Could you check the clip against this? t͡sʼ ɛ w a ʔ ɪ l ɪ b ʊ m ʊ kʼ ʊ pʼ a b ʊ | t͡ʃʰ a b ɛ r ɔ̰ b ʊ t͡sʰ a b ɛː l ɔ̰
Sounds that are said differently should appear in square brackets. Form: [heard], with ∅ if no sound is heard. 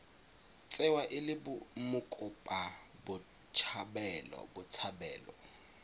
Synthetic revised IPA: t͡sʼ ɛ w a ʔ ɪ l ɪ b ʊ m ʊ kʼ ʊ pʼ a b ʊ | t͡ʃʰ a b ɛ [l] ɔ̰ b ʊ t͡sʰ a b ɛː l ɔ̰